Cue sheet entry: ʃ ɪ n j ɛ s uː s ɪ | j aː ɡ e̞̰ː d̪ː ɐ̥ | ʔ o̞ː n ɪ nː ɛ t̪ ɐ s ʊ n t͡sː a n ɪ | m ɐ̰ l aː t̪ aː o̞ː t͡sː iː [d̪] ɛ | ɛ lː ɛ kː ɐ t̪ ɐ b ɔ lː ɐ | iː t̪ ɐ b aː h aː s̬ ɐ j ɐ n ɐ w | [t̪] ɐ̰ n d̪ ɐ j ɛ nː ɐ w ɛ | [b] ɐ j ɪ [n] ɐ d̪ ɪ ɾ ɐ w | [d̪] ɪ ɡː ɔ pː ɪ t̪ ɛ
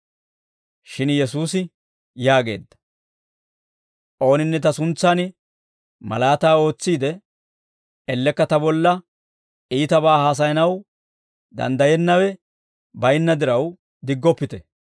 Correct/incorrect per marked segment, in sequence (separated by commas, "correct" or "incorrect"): correct, incorrect, correct, incorrect, correct